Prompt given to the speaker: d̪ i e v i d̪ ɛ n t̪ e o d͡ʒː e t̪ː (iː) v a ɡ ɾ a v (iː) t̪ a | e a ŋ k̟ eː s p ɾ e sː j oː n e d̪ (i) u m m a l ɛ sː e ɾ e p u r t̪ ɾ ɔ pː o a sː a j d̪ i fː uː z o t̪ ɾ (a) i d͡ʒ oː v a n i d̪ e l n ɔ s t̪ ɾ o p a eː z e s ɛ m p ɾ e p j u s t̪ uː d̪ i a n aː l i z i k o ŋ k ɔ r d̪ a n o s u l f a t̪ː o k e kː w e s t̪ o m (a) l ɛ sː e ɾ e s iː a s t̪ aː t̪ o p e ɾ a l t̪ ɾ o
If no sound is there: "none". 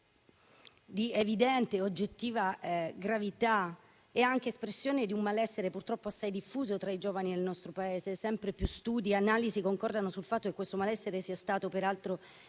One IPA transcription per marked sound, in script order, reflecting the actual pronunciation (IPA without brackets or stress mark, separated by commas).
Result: iː, i, i, a, a